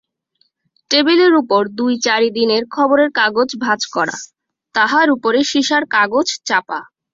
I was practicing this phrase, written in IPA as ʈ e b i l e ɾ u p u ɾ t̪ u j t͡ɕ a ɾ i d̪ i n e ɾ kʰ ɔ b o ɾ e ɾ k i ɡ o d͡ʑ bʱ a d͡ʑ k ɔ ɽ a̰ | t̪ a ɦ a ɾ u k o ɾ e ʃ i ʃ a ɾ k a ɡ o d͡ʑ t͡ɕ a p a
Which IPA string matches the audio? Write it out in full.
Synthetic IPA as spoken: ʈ e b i l e ɾ u p o ɾ d̪ u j t͡ɕ a ɾ i d̪ i n e ɾ kʰ ɔ b o ɾ e ɾ k a ɡ o d͡ʑ bʱ a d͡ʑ k ɔ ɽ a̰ | t̪ a ɦ a ɾ u p o ɾ e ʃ i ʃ a ɾ k a ɡ o d͡ʑ t͡ɕ a p a